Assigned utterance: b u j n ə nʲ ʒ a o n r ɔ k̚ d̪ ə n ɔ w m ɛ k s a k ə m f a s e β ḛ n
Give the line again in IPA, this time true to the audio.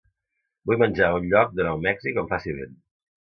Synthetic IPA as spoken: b u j m ə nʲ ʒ a u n ʎ ɔ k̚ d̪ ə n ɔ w m ɛ k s i k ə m f a s i β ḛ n